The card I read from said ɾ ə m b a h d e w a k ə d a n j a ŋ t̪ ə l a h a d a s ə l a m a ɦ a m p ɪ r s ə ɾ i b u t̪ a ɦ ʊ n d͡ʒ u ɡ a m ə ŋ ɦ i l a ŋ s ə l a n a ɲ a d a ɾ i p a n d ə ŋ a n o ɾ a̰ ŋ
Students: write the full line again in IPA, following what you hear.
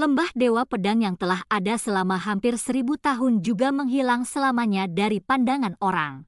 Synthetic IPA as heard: l ə m b a h d e w a p ə d a ŋ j a ŋ t̪ ə l a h a d a s ə l a m a ɦ a m p ɪ r s ə ɾ i b u t̪ a ɦ ʊ n d͡ʒ u ɡ a m ə ŋ ɦ i l a ŋ s ə l a m a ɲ a d a ɾ i p a n d a ŋ a n o ɾ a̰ ŋ